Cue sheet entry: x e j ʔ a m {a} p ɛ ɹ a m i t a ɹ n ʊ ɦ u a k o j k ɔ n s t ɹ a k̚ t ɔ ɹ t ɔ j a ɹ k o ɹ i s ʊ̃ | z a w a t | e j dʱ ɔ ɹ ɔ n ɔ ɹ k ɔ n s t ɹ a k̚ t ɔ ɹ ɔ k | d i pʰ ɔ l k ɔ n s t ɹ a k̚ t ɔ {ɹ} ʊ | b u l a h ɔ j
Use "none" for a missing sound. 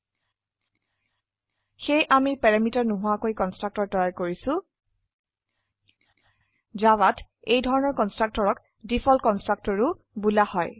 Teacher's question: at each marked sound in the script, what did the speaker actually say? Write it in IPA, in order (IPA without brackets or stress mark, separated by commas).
i, ɹ